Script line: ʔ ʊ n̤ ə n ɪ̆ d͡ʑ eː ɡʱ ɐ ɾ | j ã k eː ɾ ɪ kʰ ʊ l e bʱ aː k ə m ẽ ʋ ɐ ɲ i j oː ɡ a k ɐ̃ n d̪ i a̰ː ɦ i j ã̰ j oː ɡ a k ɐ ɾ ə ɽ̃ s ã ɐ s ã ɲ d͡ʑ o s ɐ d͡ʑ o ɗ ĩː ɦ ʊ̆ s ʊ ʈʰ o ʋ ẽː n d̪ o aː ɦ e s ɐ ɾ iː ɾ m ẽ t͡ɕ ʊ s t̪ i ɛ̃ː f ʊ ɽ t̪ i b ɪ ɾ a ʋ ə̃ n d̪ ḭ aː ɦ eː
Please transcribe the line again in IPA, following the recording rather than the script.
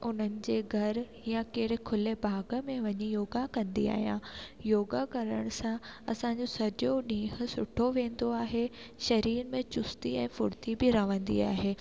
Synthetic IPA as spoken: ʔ ʊ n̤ ə n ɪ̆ d͡ʑ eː ɡʱ ɐ ɾ | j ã k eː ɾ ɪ kʰ ʊ l e bʱ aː ɡ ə m ẽ ʋ ɐ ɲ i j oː ɡ a k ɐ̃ n d̪ i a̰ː ɦ i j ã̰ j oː ɡ a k ɐ ɾ ə ɽ̃ s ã ɐ s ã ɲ d͡ʑ o s ɐ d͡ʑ o ɗ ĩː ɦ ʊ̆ s ʊ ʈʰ o ʋ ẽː n d̪ o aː ɦ e ʃ ɐ ɾ iː ɾ m ẽ t͡ɕ ʊ s t̪ i ɛ̃ː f ʊ ɽ t̪ i b ɪ ɾ ɐ ʋ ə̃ n d̪ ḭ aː ɦ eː